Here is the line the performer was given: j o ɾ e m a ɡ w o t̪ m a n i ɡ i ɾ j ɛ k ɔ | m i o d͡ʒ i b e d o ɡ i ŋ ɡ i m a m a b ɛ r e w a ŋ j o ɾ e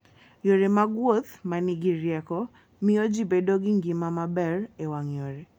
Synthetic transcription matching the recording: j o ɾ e m a ɡ w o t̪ m a n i ɡ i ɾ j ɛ k ɔ | m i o d͡ʒ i b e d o ɡ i ŋ ɡ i m a m a b ɛ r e w a ŋ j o ɾ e

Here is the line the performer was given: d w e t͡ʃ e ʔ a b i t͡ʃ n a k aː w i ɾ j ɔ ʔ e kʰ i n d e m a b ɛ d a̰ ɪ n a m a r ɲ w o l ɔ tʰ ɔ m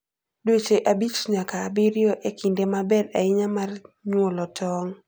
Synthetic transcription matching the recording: d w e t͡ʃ e ʔ a b i t͡ʃ ɲ a k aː b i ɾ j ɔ ʔ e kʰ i n d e m a b ɛ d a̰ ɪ ɲ a m a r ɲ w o l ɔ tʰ ɔ ŋ

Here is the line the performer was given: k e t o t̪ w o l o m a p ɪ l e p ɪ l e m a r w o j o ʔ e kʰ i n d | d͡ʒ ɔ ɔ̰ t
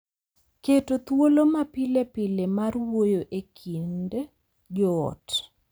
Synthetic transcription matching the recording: k e t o t̪ w o l o m a p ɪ l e p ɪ l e m a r w o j o ʔ e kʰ i n d | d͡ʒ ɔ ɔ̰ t

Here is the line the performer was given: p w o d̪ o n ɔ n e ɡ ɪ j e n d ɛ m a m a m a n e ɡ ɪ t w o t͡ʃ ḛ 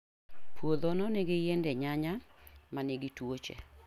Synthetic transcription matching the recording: p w o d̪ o n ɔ n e ɡ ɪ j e n d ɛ ɲ a ɲ a m a n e ɡ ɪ t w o t͡ʃ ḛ

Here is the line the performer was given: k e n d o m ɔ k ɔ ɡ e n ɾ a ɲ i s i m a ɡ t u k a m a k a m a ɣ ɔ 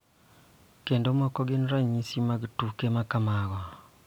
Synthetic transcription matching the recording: k e n d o m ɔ k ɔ ɡ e n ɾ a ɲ i s i m a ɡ t u k e m a k a m a ɣ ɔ

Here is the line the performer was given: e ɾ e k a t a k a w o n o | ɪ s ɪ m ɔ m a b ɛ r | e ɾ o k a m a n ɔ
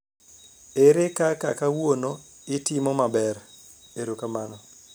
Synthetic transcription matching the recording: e ɾ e k a k a k a w o n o | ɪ t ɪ m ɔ m a b ɛ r | e ɾ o k a m a n ɔ

